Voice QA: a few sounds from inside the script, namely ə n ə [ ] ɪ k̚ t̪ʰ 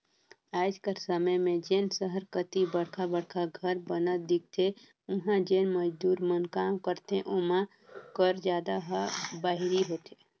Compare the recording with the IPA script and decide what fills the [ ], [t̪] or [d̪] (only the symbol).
d̪